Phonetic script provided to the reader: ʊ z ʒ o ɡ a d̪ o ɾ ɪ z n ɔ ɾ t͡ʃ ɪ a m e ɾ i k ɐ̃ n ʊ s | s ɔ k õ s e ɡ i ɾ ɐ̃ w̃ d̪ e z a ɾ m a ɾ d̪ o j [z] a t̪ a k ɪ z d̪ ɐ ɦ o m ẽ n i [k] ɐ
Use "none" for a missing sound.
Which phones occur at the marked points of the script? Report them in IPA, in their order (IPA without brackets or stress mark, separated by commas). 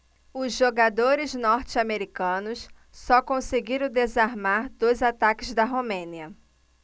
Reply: z, none